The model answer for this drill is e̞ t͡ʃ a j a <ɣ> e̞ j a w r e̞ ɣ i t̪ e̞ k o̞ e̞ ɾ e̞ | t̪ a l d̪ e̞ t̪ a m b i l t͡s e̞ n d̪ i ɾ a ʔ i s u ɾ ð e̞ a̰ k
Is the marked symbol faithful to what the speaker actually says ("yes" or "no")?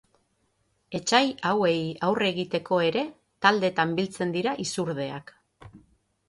no